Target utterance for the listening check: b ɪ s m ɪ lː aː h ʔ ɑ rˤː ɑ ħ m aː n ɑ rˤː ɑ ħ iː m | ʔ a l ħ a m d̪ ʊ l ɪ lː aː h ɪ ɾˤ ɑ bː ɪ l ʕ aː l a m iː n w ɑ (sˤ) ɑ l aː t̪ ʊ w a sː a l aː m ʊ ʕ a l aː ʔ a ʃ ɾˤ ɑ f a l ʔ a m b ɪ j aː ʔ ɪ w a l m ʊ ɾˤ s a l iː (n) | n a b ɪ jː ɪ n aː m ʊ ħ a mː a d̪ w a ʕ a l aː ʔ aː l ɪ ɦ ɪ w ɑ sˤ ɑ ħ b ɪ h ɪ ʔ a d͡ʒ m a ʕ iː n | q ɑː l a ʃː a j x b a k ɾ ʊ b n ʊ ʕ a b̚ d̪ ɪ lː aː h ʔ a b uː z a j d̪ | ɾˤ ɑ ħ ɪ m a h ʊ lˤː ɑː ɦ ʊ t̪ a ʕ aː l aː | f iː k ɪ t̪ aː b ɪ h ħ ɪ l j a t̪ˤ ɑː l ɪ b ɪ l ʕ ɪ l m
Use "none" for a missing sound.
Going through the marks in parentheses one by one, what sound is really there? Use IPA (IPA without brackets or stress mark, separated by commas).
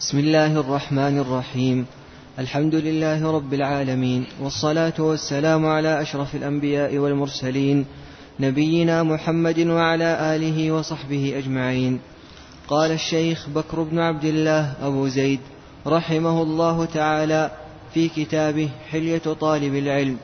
sˤː, n